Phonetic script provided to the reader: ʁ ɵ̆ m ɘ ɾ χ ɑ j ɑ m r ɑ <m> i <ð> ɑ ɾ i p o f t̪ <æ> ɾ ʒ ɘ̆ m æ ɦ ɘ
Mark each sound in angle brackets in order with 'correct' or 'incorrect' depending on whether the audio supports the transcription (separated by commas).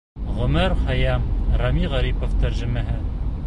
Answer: correct, incorrect, correct